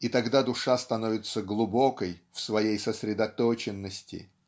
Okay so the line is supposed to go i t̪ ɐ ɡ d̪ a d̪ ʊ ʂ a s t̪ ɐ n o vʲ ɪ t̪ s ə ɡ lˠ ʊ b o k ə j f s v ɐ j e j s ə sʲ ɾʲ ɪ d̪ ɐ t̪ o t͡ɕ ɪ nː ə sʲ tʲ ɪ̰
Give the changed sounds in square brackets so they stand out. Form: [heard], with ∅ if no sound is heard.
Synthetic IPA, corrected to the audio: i t̪ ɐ ɡ d̪ a d̪ ʊ ʂ a s t̪ ɐ n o vʲ ɪ t̪ s ə ɡ lˠ ʊ b o k ə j f s v ɐ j e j s ə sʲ ɾʲ ɪ d̪ ɐ t̪ o t͡ɕ ɪ nː ə sʲ tʲ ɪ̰